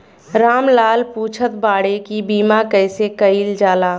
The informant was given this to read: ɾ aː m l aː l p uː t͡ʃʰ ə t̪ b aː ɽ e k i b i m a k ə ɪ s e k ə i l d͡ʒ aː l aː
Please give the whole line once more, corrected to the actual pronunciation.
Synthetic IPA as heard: ɾ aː m l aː l p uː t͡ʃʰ ə t̪ b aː ɽ e k i b iː m a k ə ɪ s e k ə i l d͡ʒ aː l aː